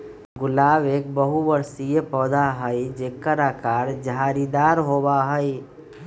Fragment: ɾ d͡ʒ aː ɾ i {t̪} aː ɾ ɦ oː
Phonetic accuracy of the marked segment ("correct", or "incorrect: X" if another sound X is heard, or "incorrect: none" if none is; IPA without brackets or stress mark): incorrect: d̪